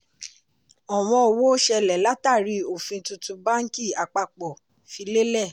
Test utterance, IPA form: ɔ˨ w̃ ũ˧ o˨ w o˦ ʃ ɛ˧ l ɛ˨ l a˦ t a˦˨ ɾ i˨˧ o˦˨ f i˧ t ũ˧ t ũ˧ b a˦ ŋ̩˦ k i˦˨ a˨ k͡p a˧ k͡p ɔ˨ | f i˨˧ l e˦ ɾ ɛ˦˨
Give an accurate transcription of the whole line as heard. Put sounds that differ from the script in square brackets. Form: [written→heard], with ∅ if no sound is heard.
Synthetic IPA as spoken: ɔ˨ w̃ [ũ˧→ɔ̃˧] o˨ w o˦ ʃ ɛ˧ l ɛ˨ l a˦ t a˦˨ ɾ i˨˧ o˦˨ f [i˧→ĩ˧] t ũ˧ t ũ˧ b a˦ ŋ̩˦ k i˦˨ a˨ k͡p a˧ k͡p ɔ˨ | f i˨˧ l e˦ [ɾ→l] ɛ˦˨

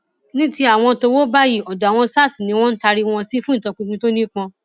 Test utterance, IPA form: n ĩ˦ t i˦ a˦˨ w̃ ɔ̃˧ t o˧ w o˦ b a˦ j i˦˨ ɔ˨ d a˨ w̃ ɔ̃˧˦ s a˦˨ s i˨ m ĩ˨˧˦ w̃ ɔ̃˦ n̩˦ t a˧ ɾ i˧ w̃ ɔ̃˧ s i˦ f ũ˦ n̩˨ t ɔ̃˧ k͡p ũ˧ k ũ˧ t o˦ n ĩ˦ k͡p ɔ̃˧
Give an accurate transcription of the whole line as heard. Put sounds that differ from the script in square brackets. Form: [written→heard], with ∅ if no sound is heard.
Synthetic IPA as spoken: n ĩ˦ t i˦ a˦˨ w̃ ɔ̃˧ t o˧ w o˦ b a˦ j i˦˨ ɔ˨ d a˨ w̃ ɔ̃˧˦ s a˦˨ s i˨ [m→n] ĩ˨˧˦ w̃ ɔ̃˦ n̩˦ t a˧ ɾ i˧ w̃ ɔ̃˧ s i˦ f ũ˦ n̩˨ t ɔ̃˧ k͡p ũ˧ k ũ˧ t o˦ n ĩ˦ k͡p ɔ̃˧

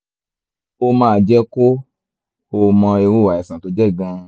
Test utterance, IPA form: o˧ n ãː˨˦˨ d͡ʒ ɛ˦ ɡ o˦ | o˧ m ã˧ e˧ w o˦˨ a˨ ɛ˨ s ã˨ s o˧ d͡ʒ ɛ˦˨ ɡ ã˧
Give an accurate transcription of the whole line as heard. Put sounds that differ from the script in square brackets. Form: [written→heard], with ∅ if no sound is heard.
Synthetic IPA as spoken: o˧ [n→m] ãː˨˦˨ d͡ʒ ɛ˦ [ɡ→k] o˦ | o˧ m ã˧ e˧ w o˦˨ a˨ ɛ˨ s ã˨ [s→t] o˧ d͡ʒ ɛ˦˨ ɡ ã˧

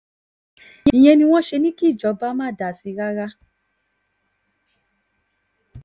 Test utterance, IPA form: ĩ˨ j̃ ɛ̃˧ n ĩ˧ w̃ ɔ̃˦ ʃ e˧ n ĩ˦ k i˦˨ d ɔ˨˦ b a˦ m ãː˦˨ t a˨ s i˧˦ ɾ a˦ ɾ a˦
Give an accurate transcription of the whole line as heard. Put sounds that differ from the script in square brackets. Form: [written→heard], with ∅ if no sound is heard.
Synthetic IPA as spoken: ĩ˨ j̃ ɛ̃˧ n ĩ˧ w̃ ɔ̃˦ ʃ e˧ n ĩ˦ k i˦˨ [d→d͡ʒ] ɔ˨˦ b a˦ m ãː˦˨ [t→d] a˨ s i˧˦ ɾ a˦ ɾ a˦

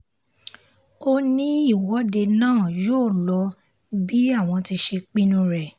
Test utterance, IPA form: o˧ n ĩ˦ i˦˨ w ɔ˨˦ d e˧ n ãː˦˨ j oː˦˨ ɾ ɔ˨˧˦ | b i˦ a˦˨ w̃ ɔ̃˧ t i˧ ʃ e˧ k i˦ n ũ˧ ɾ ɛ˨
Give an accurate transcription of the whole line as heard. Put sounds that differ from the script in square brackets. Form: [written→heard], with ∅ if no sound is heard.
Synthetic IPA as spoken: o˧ n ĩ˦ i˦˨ w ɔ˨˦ d e˧ n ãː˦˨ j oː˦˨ [ɾ→l] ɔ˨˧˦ | b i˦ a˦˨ w̃ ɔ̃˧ t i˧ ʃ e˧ [k→k͡p] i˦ n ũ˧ ɾ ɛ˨

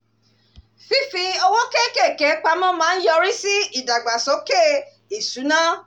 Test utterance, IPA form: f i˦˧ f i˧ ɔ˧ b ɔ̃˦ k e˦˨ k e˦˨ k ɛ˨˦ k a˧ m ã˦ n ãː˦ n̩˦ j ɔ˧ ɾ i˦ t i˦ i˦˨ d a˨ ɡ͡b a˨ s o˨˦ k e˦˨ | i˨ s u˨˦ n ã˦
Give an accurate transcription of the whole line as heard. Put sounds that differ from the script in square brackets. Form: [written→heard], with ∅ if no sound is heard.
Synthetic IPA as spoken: f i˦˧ f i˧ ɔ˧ [b→w] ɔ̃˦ k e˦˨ k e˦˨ k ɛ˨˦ [k→k͡p] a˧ m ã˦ [n→m] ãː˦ n̩˦ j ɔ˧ ɾ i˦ [t→s] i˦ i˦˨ d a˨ ɡ͡b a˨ s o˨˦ k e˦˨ | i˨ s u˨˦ n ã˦

